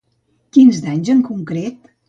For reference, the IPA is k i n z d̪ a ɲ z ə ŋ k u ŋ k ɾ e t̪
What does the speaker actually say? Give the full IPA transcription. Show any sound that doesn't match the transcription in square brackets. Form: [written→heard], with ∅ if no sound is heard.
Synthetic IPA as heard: k i n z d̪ a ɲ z ə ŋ k u ŋ k ɾ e t̪